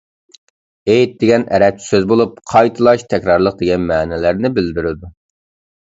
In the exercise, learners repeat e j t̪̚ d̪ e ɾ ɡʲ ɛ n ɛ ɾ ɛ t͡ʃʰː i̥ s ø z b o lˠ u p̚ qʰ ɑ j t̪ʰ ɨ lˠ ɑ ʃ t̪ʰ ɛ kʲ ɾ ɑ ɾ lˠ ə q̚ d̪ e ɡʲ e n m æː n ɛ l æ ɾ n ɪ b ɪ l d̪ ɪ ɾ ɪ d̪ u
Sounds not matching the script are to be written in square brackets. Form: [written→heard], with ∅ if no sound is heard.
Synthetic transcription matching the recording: e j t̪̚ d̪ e [ɾ→∅] ɡʲ ɛ n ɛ ɾ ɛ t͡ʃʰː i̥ s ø z b o lˠ u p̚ qʰ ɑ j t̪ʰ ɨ lˠ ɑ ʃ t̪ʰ ɛ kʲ ɾ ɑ ɾ lˠ ə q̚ d̪ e ɡʲ [e→ɛ] n m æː n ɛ l æ ɾ n ɪ b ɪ l d̪ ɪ ɾ ɪ d̪ u